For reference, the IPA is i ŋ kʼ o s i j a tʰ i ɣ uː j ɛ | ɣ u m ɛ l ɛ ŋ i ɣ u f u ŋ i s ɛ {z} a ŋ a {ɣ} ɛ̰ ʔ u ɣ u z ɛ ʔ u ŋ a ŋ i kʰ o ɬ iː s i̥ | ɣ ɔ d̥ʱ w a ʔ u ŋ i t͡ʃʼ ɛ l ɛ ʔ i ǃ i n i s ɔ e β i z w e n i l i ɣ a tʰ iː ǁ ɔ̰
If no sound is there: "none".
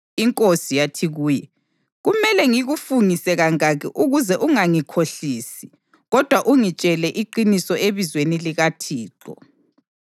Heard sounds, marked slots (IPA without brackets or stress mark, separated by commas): ɣ, ɣ